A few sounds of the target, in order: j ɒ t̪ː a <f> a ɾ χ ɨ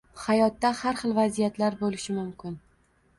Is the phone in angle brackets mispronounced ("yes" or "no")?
yes